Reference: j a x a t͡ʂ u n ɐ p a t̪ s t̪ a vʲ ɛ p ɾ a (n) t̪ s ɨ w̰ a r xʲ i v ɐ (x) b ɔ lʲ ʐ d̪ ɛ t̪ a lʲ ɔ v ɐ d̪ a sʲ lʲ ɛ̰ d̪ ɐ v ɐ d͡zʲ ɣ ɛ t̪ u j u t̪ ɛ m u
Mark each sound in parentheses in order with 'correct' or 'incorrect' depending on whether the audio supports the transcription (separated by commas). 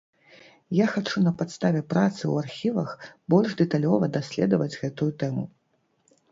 incorrect, correct